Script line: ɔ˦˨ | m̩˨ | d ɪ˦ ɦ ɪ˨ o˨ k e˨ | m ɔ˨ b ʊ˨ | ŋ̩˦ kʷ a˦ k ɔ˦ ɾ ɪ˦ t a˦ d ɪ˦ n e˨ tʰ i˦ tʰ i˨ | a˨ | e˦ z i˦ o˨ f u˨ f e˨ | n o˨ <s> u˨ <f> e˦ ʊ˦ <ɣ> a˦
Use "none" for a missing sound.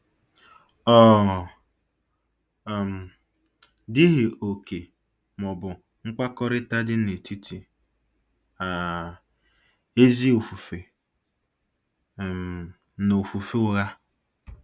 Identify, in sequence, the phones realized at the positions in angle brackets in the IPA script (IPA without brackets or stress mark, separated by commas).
f, f, ɣ